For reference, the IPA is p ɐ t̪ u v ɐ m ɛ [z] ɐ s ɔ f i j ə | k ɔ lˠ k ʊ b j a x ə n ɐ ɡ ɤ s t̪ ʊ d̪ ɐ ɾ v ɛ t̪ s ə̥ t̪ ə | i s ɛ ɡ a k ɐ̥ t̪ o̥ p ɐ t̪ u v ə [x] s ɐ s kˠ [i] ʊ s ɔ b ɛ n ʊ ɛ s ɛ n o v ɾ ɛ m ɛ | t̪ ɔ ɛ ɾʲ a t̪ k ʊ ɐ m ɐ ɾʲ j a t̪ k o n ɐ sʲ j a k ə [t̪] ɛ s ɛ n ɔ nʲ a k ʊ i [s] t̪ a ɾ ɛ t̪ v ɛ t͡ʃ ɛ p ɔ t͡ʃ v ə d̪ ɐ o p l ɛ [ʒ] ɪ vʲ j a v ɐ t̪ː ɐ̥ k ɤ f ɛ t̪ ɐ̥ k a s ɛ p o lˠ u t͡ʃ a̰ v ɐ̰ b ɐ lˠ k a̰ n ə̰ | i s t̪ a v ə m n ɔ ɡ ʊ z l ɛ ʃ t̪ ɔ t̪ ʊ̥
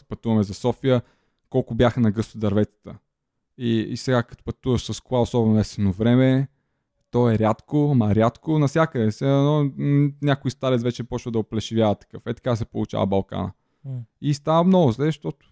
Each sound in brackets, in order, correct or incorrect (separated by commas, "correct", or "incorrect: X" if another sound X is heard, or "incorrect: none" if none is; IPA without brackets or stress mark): correct, incorrect: ʃ, incorrect: a, incorrect: d̪, correct, incorrect: ʃ